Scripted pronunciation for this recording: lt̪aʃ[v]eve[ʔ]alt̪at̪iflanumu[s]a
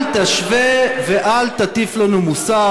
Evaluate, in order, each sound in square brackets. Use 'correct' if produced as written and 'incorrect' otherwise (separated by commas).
correct, correct, correct